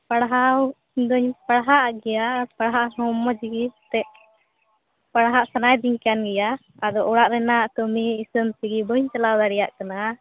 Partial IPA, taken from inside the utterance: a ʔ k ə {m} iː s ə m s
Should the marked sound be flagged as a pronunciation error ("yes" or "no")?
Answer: no